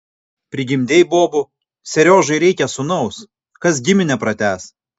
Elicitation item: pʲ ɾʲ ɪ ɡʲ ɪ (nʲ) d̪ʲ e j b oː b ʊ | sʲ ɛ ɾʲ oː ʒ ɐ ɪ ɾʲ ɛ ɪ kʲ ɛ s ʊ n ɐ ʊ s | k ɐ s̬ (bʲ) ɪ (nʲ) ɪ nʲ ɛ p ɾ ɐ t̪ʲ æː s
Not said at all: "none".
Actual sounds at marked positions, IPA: mʲ, ɡʲ, mʲ

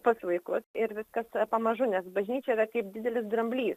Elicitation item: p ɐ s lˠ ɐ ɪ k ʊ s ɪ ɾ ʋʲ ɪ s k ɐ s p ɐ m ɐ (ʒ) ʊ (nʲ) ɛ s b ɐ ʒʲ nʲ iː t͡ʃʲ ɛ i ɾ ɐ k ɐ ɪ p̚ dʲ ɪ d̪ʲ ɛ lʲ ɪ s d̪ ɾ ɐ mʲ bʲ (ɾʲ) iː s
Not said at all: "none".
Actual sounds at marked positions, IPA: ʒ, nʲ, lʲ

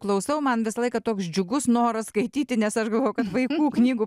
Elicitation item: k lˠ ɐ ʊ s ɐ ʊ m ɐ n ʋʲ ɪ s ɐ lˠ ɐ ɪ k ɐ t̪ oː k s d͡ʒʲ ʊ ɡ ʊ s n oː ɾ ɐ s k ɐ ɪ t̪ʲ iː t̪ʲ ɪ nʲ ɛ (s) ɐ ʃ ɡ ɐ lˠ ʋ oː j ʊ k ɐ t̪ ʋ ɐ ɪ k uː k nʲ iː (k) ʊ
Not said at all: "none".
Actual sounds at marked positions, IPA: s, ɡ

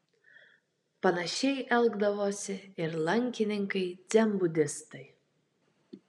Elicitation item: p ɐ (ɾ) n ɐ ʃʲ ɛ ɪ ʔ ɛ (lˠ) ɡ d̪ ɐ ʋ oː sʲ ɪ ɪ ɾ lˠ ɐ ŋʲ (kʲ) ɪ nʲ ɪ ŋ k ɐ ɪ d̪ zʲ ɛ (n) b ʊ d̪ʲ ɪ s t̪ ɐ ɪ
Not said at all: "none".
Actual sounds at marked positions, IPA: none, lˠ, kʲ, m

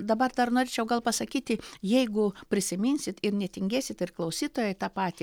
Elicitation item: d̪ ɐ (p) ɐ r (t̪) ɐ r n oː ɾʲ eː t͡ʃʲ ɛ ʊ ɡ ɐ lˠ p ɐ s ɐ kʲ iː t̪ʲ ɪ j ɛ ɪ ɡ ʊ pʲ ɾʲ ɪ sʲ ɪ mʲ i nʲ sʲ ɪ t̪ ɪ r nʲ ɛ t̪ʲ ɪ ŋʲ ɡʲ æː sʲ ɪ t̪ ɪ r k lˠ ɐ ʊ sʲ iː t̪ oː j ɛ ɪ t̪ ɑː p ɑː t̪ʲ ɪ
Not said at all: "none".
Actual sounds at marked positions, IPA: b, d̪

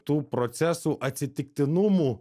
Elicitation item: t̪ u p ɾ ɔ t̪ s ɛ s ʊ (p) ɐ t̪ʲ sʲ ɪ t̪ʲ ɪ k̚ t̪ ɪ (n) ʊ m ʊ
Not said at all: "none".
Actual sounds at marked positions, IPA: ʔ, n

